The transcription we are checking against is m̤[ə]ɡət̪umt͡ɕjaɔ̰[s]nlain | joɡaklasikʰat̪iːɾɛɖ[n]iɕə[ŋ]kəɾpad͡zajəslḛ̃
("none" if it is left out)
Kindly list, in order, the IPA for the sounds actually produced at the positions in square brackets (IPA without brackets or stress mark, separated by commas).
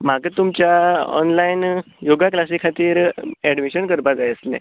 a, none, m, n